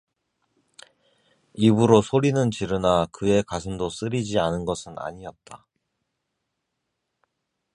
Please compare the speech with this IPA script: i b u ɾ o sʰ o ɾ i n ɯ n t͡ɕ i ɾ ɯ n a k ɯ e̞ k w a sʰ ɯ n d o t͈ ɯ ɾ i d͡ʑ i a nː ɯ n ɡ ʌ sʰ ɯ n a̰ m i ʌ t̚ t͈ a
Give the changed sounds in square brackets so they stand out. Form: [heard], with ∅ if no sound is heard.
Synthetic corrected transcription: i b u ɾ o sʰ o ɾ i n ɯ n t͡ɕ i ɾ ɯ n a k ɯ e̞ k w a sʰ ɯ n d o [s͈] ɯ ɾ i d͡ʑ i a [n] ɯ n ɡ ʌ sʰ ɯ n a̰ [ɲ] i ʌ t̚ t͈ a